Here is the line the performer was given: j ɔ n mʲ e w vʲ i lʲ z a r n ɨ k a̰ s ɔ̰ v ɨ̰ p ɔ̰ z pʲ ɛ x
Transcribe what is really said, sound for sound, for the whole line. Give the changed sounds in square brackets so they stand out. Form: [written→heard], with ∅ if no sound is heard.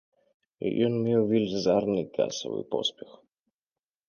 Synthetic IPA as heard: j ɔ n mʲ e w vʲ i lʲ z a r n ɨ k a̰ s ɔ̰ v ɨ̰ p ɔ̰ [z→s] pʲ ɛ x